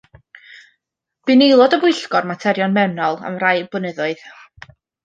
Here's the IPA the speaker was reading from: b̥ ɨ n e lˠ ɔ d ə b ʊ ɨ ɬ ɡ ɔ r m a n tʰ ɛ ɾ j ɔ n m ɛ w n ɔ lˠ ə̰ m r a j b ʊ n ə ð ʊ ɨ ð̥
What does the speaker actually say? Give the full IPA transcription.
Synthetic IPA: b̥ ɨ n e lˠ ɔ d ə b ʊ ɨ ɬ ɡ ɔ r m a tʰ ɛ ɾ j ɔ n m ɛ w n ɔ lˠ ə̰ m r a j b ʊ n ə ð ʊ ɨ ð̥

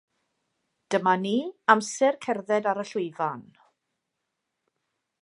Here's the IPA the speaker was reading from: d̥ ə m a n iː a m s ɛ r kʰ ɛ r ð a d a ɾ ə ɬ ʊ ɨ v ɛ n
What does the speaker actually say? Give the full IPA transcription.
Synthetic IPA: d̥ ə m a n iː a m s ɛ r kʰ ɛ r ð ɛ d a ɾ ə ɬ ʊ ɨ v a n

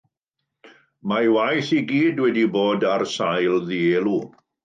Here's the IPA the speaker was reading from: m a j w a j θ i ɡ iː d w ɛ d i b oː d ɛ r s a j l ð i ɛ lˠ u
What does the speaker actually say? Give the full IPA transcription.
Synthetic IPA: m a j w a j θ i ɡ iː d w ɛ d i b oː d a r s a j l ð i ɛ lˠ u

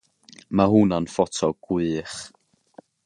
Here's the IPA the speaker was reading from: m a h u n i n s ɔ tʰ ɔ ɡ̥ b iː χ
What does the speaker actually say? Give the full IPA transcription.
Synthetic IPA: m a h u n a n f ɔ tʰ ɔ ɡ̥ w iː χ

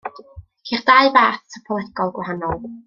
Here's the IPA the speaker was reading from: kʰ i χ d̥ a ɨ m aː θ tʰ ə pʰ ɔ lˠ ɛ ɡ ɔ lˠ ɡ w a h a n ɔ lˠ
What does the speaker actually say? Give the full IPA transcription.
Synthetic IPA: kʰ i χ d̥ a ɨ b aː θ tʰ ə pʰ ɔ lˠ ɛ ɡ ɔ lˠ ɡ w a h a n ɔ lˠ

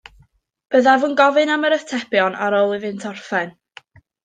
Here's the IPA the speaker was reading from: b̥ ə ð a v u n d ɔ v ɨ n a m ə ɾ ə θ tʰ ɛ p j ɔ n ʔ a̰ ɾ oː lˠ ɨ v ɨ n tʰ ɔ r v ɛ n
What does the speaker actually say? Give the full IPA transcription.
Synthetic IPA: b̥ ə ð a v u n ɡ ɔ v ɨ n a m ə ɾ ə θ tʰ ɛ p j ɔ n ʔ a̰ ɾ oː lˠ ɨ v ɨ n tʰ ɔ r f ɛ n

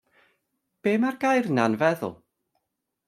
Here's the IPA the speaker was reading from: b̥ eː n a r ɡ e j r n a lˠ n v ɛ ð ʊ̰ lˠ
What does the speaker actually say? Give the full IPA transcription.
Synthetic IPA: b̥ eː m a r ɡ a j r n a n v ɛ ð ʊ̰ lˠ

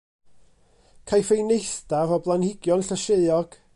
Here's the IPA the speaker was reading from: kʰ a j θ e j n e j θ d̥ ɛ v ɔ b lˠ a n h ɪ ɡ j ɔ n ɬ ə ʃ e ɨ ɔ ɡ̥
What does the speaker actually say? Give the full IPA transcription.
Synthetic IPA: kʰ a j f e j n e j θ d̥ a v ɔ b lˠ a n h ɪ ɡ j ɔ n ɬ ə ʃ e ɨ ɔ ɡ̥

